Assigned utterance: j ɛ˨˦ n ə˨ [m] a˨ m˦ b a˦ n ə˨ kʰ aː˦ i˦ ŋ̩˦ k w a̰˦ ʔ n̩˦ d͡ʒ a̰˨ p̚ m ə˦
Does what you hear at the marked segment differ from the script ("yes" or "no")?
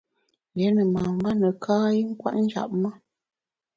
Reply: no